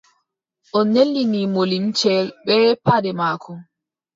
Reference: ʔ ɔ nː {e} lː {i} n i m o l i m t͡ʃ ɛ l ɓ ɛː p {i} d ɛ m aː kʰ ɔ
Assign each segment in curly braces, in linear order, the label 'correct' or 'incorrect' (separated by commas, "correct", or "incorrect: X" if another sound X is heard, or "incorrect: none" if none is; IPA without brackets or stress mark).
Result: correct, correct, incorrect: a